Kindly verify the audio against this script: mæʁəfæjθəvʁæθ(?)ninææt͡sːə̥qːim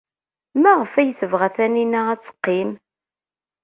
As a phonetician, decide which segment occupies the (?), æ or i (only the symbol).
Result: æ